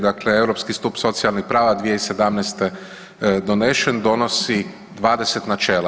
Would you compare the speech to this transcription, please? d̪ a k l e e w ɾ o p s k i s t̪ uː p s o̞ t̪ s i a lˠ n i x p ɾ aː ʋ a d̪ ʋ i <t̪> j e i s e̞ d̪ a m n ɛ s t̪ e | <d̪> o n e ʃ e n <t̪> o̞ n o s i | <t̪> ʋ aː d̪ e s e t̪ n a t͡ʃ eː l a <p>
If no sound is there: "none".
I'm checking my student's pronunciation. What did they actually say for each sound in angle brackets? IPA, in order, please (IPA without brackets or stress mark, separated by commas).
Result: none, d̪, d̪, d̪, none